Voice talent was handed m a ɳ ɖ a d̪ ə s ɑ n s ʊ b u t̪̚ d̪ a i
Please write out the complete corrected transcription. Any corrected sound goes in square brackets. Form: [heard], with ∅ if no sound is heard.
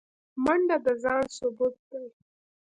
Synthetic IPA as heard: m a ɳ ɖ a d̪ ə [z] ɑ n s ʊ b u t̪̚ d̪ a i